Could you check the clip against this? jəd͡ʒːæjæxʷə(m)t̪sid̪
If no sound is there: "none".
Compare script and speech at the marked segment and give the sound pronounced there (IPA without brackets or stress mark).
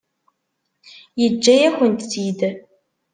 n